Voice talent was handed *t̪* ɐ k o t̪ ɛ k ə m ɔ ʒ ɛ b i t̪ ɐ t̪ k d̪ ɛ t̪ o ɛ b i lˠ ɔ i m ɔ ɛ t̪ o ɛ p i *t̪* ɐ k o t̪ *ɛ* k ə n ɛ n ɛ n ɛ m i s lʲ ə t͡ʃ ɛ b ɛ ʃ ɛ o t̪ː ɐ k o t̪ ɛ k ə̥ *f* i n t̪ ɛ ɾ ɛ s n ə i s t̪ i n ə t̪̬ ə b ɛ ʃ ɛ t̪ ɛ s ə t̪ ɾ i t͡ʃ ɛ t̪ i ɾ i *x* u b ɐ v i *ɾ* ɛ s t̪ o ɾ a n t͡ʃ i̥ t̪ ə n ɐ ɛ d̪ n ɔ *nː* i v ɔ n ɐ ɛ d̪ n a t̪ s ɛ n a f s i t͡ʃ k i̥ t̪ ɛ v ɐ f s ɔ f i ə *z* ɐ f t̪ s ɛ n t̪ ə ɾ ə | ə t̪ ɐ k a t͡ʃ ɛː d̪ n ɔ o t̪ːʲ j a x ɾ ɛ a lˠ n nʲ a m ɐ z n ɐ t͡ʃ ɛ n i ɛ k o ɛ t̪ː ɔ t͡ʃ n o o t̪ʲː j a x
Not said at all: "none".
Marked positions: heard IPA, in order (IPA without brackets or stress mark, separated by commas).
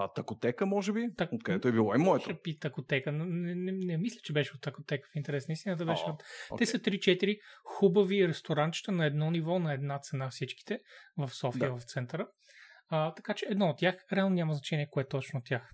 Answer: t̪, t̪, ɛ, f, x, ɾ, n, v